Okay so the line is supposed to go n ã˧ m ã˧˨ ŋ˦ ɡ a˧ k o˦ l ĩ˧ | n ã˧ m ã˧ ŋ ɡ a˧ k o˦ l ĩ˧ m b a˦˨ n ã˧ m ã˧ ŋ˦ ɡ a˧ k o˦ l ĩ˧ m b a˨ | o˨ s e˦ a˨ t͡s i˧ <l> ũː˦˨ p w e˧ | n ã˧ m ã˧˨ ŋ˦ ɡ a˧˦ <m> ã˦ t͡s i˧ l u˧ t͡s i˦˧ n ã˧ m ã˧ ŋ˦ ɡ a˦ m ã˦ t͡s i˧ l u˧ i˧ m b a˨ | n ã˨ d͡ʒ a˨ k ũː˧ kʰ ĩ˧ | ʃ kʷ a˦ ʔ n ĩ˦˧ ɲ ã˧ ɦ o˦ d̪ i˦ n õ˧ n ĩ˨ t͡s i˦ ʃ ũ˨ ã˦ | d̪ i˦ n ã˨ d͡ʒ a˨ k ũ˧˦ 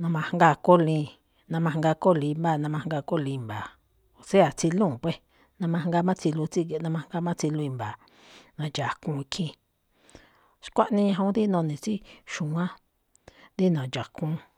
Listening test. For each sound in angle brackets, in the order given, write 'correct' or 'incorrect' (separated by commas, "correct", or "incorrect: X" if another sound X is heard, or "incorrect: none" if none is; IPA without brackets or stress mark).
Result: correct, correct